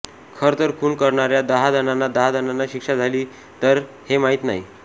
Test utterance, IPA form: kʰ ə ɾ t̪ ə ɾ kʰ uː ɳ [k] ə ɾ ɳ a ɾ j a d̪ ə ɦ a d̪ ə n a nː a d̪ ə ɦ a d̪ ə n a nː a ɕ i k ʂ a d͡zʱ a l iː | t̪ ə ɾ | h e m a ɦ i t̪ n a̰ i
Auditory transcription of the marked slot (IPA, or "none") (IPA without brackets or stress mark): k